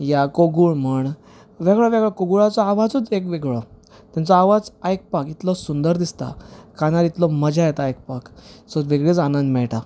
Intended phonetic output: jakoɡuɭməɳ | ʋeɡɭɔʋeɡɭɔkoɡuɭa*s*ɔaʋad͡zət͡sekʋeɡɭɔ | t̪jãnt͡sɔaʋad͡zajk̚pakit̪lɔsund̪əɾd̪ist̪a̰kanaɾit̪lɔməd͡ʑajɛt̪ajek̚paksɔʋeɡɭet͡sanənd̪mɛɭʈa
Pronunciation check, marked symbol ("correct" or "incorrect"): incorrect